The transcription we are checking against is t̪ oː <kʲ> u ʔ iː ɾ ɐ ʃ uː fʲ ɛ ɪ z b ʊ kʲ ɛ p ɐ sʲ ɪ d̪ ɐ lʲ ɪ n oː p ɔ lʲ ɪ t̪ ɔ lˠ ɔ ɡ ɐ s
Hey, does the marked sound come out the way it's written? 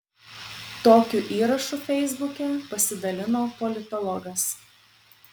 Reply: yes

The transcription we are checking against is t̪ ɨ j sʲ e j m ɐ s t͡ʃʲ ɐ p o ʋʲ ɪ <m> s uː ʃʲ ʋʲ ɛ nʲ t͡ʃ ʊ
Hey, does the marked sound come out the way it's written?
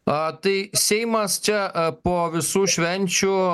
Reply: no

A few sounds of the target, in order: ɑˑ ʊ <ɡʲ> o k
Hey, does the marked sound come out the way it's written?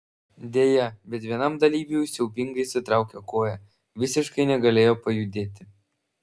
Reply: no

